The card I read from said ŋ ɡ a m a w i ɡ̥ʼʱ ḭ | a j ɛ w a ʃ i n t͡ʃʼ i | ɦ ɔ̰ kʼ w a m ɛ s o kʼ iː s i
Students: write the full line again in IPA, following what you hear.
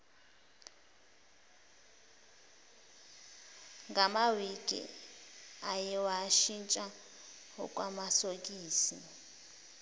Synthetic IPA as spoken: ŋ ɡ a m a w i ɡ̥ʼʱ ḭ | a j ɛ w a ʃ i n t͡ʃʼ a | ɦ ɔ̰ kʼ w a m a s o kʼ iː s i